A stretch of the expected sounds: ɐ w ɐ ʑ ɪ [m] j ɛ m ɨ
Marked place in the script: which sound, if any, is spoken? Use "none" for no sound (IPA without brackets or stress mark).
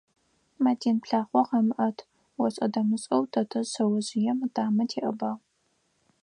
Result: none